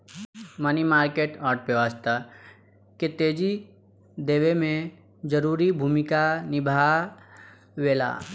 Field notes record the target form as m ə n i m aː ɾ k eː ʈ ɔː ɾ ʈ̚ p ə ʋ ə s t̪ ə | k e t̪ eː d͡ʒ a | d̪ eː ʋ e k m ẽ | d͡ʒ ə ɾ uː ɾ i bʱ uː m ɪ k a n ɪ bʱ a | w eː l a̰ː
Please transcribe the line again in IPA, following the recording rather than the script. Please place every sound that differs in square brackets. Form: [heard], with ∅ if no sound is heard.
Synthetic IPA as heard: m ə n i m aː ɾ k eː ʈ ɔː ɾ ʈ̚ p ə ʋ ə s t̪ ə | k e t̪ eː d͡ʒ [i] | d̪ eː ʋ e [∅] m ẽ | d͡ʒ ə ɾ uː ɾ i bʱ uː m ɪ k a n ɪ bʱ a | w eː l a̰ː

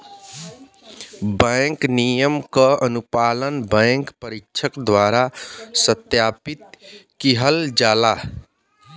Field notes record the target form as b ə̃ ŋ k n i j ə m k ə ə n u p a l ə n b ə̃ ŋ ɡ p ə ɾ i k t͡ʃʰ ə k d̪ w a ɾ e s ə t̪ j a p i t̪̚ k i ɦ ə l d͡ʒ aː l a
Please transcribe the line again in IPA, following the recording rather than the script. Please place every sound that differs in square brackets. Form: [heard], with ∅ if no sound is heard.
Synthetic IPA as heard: b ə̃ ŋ k n i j ə m k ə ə n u p a l ə n b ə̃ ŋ [k] p ə ɾ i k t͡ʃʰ ə k d̪ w a ɾ [a] s ə t̪ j a p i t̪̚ k i ɦ ə l d͡ʒ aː l a

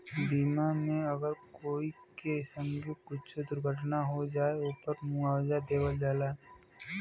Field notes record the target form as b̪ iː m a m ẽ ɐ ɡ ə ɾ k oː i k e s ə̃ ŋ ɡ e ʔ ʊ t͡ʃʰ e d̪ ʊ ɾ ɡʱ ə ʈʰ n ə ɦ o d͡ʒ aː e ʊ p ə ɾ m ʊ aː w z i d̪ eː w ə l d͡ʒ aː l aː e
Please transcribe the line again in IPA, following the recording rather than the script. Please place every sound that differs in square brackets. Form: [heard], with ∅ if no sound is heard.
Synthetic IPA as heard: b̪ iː m a m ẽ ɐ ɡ ə ɾ k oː i k e s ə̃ ŋ ɡ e [k] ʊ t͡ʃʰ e d̪ ʊ ɾ ɡʱ ə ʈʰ n [a] ɦ o d͡ʒ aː e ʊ p ə ɾ m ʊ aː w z [a] d̪ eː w ə l d͡ʒ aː l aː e

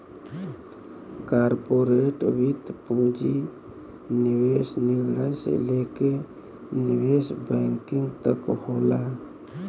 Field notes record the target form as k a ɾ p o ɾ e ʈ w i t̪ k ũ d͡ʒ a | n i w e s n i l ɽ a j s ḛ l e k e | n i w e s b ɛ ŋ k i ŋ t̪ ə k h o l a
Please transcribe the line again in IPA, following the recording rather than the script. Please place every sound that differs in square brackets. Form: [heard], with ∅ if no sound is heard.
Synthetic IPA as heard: k a ɾ p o ɾ e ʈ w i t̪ [p] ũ d͡ʒ [i] | n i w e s n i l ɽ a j s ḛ l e k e | n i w e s b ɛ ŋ k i ŋ t̪ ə k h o l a

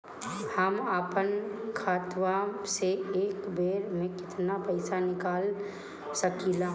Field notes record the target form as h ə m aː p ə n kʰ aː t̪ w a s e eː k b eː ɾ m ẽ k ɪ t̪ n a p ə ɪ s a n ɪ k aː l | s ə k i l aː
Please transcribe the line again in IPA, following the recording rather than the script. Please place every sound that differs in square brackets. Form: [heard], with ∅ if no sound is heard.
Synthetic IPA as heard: h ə m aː p ə n kʰ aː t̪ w a s e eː k b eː ɾ m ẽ k ɪ t̪ n a p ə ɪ s a n ɪ k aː l | s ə k i l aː

